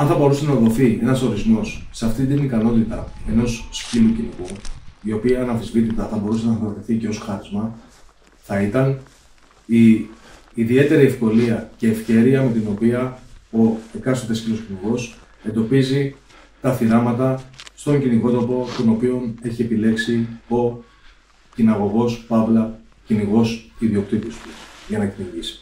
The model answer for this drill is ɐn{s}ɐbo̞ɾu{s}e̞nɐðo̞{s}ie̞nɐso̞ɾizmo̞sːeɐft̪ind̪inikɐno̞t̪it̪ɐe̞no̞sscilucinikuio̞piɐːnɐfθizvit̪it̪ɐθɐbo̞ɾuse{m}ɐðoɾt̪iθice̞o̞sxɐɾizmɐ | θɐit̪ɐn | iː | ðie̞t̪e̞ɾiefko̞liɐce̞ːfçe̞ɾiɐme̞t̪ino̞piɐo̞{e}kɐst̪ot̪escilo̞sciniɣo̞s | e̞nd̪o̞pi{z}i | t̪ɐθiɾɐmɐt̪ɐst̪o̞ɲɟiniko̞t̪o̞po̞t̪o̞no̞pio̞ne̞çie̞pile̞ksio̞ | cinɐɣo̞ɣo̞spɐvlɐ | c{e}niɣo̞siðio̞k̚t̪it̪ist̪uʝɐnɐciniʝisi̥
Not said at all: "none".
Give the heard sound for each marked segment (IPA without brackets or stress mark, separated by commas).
θ, s, θ, n, e, z, i